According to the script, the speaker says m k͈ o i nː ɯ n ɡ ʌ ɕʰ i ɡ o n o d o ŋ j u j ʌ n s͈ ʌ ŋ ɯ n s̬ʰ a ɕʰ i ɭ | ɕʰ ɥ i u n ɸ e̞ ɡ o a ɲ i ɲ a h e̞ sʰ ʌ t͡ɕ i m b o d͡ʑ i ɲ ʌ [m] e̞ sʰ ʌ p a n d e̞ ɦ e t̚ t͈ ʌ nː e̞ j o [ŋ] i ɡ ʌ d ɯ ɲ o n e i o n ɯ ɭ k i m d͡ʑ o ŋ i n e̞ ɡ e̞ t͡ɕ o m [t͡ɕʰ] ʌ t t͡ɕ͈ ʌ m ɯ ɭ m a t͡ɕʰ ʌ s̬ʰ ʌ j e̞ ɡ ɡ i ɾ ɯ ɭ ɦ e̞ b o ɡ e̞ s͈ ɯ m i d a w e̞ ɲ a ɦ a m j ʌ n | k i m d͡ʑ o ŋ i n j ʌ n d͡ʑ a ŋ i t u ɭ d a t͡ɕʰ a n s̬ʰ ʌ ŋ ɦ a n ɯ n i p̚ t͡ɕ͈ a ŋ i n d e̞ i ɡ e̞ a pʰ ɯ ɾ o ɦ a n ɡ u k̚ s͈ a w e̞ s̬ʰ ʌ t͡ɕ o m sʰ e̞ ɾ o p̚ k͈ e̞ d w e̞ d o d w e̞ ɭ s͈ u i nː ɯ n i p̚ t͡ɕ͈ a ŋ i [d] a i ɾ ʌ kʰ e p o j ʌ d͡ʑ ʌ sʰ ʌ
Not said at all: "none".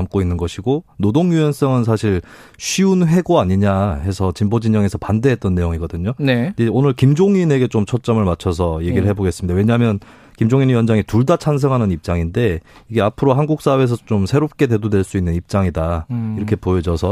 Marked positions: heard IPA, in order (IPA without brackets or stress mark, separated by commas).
ŋ, ŋ, t͡ɕʰ, d